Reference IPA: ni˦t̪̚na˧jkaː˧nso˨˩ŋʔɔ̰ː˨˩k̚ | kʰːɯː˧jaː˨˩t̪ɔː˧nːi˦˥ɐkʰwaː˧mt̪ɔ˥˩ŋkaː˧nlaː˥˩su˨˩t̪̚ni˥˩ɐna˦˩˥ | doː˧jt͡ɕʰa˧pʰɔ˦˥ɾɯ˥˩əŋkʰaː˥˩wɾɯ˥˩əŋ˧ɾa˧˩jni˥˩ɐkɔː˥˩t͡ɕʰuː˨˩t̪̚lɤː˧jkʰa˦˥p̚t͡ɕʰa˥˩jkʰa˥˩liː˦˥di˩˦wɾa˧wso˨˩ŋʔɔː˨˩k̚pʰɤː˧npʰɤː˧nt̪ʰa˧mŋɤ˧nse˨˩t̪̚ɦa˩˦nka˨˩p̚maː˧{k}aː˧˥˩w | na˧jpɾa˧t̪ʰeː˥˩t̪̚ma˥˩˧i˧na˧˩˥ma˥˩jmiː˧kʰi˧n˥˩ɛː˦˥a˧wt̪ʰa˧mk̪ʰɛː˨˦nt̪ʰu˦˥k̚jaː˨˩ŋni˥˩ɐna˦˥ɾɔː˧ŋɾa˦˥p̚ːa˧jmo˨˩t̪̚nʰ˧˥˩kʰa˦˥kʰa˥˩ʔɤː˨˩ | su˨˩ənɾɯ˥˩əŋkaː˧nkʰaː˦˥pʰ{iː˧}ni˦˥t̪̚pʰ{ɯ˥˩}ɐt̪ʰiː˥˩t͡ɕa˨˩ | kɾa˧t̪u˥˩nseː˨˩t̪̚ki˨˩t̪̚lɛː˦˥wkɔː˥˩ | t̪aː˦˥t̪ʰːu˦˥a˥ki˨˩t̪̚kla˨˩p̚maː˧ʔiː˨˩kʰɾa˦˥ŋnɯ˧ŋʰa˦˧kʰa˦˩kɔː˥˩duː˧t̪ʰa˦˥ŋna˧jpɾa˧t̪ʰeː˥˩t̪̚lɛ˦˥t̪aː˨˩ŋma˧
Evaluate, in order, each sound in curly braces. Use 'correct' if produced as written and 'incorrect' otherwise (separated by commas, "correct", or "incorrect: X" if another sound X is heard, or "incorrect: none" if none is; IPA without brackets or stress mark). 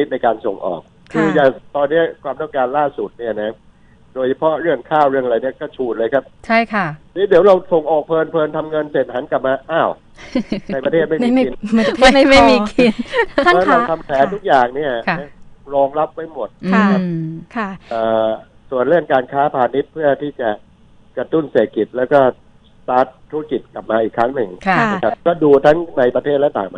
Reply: incorrect: ʔ, incorrect: aː˧, correct